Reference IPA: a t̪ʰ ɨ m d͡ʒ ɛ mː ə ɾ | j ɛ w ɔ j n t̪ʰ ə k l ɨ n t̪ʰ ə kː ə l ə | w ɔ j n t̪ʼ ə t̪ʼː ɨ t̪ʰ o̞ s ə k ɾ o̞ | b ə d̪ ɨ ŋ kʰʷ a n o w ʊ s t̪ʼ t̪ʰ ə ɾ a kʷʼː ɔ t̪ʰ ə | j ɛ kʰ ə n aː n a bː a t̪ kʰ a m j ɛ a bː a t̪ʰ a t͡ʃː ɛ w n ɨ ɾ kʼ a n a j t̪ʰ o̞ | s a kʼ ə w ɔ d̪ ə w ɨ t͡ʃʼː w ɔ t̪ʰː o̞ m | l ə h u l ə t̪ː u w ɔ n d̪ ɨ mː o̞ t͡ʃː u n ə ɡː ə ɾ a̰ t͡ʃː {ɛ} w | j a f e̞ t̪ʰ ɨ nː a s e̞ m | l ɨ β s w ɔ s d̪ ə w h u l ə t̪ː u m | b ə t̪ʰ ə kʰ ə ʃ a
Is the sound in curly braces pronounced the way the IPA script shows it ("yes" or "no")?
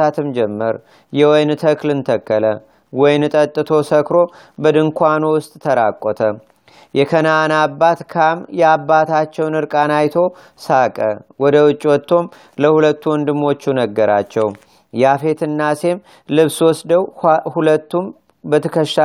yes